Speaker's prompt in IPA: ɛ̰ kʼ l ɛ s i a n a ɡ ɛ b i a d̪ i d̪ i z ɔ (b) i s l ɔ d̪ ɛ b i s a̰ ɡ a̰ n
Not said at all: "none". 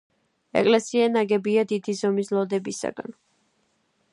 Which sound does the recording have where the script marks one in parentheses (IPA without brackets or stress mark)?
m